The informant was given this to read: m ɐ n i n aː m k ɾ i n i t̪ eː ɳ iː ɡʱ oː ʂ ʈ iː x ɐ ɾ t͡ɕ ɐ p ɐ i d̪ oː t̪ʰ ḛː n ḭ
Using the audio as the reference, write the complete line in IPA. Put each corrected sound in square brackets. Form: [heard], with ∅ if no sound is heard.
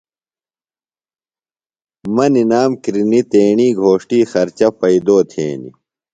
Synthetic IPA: m ɐ n i n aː m k ɾ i n i t̪ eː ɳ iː ɡʱ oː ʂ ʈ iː x ɐ ɾ t͡ɕ ɐ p ɐ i d̪ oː t̪ʰ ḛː n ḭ

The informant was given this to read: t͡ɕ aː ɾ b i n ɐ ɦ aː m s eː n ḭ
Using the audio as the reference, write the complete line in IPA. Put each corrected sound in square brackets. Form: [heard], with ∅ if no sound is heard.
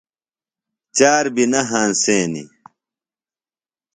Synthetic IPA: t͡ɕ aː ɾ b i n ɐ ɦ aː [n] s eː n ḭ

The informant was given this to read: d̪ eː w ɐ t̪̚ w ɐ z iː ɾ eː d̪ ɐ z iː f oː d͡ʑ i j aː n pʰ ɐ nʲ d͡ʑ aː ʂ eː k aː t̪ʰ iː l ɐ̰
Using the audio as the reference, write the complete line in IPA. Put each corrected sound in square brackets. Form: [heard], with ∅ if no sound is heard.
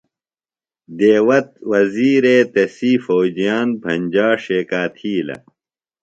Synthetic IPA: d̪ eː w ɐ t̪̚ w ɐ z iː ɾ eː [t̪] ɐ [s] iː f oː d͡ʑ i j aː n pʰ ɐ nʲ d͡ʑ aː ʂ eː k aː t̪ʰ iː l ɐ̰

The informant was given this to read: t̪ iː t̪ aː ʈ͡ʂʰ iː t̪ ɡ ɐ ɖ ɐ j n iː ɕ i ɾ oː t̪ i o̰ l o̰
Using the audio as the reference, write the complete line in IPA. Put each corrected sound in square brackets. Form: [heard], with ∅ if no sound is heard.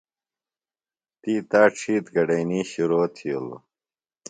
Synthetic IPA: t̪ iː t̪ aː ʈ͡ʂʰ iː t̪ ɡ ɐ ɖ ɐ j n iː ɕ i ɾ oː [t̪ʰ] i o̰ l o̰

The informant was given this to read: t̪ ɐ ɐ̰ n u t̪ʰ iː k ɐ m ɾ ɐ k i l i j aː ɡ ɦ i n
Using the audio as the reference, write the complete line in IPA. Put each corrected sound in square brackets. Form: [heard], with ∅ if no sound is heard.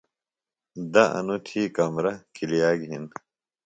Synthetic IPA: [d̪] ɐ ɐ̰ n u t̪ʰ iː k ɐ m ɾ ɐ k i l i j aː ɡ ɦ i n

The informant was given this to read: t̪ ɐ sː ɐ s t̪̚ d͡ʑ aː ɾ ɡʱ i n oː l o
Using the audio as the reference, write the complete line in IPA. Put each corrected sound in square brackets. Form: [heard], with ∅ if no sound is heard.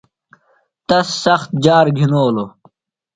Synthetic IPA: t̪ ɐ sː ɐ [x] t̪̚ d͡ʑ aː ɾ ɡʱ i n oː l o

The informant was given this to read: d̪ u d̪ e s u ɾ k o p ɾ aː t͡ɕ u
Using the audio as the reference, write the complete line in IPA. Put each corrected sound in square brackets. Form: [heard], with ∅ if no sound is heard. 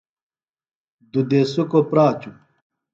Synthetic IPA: d̪ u d̪ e s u [∅] k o p ɾ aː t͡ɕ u

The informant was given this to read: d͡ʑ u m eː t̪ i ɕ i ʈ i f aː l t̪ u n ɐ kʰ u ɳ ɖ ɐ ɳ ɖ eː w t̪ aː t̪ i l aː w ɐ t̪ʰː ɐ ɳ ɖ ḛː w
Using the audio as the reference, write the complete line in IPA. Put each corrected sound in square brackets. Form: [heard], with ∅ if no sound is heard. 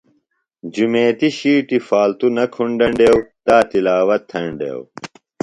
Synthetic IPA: d͡ʑ u m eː t̪ i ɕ [iː] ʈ i f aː l t̪ u n ɐ kʰ u ɳ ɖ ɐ ɳ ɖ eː w t̪ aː t̪ i l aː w ɐ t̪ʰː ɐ ɳ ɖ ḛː w

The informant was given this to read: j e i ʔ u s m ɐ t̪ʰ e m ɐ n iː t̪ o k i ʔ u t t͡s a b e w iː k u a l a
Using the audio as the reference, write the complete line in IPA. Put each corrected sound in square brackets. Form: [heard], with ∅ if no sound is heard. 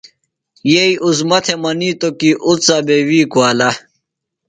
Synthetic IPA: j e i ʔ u [z] m ɐ t̪ʰ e m ɐ n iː t̪ o k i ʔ u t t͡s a b e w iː k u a l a

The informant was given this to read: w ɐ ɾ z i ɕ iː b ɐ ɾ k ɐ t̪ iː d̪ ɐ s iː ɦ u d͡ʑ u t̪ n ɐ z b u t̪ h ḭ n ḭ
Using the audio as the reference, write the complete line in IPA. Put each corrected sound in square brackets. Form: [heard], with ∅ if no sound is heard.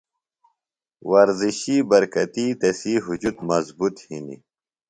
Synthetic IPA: w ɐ ɾ z i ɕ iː b ɐ ɾ k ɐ t̪ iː [t̪] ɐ s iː ɦ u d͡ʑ u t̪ [m] ɐ z b u t̪ h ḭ n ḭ

